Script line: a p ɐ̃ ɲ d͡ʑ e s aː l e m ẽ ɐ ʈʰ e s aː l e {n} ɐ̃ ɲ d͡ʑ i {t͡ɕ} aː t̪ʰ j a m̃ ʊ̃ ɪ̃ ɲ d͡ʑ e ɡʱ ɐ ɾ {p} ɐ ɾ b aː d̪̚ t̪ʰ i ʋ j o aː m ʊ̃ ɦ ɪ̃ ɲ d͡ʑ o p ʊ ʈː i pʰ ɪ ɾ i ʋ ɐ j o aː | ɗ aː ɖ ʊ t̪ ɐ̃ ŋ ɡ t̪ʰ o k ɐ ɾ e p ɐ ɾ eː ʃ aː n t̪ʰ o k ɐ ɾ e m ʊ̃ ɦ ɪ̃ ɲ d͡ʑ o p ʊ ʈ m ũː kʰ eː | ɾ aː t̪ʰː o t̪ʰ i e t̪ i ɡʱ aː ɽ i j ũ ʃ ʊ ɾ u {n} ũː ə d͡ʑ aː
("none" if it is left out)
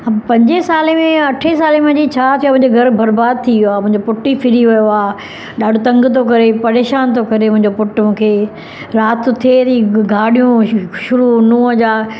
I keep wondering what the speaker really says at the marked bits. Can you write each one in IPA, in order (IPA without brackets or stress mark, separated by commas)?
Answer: m, t͡ɕʰ, b, n